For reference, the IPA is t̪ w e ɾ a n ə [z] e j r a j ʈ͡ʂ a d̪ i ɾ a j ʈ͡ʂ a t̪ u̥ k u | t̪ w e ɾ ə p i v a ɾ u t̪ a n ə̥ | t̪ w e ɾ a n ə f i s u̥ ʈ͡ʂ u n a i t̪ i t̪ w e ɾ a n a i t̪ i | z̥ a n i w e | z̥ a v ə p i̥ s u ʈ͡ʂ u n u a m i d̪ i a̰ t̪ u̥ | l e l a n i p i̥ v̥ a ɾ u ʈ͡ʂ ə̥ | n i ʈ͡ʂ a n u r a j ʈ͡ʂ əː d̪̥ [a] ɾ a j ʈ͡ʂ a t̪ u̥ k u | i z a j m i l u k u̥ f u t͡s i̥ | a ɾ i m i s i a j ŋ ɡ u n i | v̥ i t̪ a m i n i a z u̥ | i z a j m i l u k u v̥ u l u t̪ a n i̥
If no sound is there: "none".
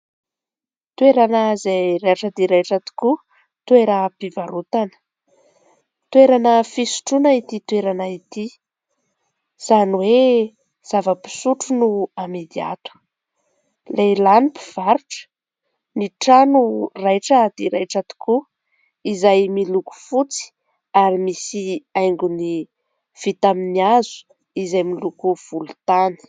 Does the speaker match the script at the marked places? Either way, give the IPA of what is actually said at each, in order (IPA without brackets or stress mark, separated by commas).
z, i